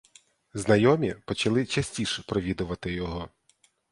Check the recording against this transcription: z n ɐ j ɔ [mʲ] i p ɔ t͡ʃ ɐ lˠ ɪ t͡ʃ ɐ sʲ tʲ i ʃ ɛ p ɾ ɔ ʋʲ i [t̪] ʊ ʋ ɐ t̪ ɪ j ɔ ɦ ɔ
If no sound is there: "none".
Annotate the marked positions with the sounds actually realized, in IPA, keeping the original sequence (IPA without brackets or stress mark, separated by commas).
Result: mʲ, d̪